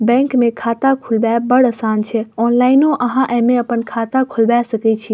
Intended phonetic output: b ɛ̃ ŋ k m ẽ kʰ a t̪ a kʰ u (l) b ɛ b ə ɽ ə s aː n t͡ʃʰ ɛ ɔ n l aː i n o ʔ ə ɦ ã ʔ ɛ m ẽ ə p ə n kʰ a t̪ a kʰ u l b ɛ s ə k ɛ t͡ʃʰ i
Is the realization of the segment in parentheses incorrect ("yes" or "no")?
no